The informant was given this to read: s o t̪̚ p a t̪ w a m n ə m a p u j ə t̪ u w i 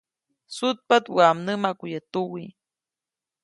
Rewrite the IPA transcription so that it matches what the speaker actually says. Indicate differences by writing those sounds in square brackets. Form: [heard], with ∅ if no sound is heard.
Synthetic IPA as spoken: s [u] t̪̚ p a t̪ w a m n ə m a [k] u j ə t̪ u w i

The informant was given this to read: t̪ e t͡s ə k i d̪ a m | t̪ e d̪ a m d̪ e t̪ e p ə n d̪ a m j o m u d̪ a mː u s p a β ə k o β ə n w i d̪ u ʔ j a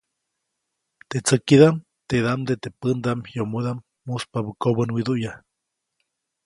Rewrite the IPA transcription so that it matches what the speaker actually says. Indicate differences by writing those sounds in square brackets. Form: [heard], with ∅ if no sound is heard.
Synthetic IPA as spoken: t̪ e t͡s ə k i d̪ a m | t̪ e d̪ a m d̪ e t̪ e p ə n d̪ a m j o m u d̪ a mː u s p a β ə k o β ə n w i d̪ u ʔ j a

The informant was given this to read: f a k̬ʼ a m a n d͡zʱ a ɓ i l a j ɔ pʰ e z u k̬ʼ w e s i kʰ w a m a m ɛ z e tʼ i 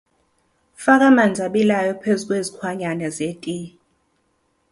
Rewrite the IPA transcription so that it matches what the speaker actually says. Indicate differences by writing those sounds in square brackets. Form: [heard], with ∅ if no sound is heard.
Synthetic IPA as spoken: f a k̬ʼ a m a n d͡zʱ a ɓ i l a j ɔ pʰ e z u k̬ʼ w e [z] i kʰ w a [ɲ] a [n] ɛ z e tʼ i

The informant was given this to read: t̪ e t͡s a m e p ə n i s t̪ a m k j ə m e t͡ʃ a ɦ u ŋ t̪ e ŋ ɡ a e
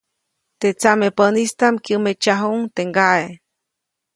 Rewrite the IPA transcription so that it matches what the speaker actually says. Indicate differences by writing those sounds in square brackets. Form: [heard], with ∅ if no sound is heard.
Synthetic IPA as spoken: t̪ e t͡s a m e p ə n i s t̪ a m k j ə m e t͡ʃ a ɦ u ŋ t̪ e ŋ ɡ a e

